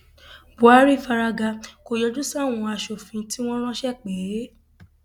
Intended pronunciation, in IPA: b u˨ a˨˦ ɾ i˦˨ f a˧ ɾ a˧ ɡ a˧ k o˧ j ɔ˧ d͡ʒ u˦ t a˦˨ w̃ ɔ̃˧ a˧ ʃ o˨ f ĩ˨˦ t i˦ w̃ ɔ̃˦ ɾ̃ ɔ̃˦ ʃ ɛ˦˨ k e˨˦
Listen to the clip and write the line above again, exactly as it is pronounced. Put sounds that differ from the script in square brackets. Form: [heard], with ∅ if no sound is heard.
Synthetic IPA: b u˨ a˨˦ ɾ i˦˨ f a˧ ɾ a˧ ɡ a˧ k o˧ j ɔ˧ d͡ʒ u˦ [s] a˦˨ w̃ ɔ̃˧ a˧ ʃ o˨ f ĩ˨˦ t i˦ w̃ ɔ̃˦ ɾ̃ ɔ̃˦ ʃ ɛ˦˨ [k͡p] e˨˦